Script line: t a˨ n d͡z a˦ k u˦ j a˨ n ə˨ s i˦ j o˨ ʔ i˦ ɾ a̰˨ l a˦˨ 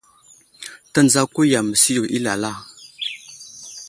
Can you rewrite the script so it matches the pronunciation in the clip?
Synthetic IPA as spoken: t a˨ n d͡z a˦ k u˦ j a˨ m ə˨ s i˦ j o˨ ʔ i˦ l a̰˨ l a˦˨